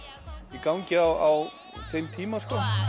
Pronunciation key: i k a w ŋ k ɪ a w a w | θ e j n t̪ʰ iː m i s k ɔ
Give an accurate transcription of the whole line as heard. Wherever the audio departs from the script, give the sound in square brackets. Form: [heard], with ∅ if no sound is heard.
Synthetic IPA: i k a w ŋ [c] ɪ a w a w | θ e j [m] t̪ʰ iː m [a] s k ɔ